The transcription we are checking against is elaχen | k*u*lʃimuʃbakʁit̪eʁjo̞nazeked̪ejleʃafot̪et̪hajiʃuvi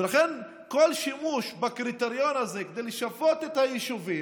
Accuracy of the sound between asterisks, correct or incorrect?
incorrect: o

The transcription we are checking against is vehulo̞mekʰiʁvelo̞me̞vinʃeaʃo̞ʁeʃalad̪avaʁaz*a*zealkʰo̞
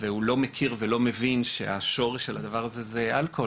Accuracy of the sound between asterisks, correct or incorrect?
incorrect: e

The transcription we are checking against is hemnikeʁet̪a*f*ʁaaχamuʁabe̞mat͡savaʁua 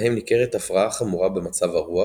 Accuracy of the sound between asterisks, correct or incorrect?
correct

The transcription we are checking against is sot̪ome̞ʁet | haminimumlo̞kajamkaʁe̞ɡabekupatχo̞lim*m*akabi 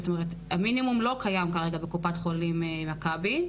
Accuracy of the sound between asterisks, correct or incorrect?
correct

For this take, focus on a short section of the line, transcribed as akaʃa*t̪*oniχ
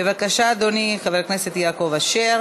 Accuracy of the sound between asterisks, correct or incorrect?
incorrect: d̪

